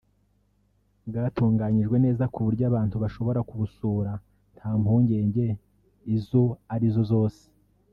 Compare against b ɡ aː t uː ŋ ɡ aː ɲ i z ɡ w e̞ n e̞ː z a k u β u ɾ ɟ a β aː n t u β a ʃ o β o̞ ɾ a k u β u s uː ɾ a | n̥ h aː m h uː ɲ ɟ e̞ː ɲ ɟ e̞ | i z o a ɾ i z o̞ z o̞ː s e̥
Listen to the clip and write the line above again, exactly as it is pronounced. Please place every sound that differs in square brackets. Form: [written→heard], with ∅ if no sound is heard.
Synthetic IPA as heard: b ɡ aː t uː ŋ ɡ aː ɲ i [z→ʒ] ɡ w e̞ n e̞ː z a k u β u ɾ ɟ a β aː n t u β a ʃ o β o̞ ɾ a k u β u s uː ɾ a | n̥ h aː m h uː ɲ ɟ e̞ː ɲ ɟ e̞ | i z o a ɾ i z o̞ z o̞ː s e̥